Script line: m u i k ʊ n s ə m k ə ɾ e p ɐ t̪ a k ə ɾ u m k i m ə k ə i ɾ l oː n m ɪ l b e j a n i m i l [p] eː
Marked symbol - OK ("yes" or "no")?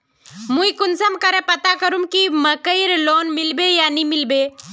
no